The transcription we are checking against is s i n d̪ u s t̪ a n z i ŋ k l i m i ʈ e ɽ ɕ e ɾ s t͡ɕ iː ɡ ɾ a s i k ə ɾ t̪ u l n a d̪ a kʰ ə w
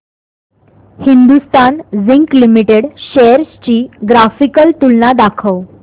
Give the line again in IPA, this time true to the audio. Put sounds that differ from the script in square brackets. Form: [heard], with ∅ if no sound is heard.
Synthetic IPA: [h] i n d̪ u s t̪ a n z i ŋ k l i m i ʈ e ɽ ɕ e ɾ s t͡ɕ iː ɡ ɾ a [f] i k ə [l] t̪ u l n a d̪ a kʰ ə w